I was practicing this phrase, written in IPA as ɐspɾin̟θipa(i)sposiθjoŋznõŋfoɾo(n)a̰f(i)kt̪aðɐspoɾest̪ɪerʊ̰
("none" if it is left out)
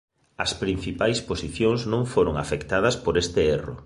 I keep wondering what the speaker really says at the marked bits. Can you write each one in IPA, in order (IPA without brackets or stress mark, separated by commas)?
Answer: j, ŋ, e